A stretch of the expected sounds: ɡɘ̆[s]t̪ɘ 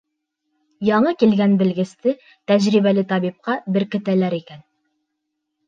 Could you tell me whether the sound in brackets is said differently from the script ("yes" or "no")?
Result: no